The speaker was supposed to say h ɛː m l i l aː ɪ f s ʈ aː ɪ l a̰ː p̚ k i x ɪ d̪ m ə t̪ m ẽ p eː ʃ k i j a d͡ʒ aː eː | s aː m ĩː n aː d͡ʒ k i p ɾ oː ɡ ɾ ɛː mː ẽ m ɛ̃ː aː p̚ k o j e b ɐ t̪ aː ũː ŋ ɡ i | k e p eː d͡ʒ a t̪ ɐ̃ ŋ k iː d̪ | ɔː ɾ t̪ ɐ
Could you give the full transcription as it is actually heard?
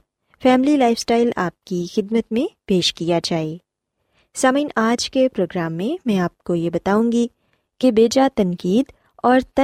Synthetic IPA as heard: f ɛː m l i l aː ɪ f s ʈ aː ɪ l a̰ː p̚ k i x ɪ d̪ m ə t̪ m ẽ p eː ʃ k i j a d͡ʒ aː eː | s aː m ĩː n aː d͡ʒ k e p ɾ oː ɡ ɾ aː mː ẽ m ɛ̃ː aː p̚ k o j e b ɐ t̪ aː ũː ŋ ɡ i | k e b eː d͡ʒ a t̪ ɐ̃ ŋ k iː d̪ | ɔː ɾ t̪ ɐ